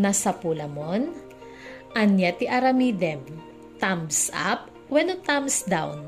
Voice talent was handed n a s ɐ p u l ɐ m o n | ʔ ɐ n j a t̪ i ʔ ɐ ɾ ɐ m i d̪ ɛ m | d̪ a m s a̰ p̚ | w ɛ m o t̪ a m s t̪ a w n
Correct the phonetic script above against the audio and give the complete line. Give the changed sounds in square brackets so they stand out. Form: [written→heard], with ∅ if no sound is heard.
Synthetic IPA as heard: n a s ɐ p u l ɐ m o n | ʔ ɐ n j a t̪ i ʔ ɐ ɾ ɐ m i d̪ ɛ m | [d̪→t̪] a m s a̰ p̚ | w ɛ [m→n] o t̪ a m s [t̪→d̪] a w n